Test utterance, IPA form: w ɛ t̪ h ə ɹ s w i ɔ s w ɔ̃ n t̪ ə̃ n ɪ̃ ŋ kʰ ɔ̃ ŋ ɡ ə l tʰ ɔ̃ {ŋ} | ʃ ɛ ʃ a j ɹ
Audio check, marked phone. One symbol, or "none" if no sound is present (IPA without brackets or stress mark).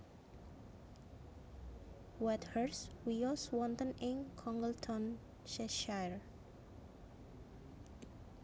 n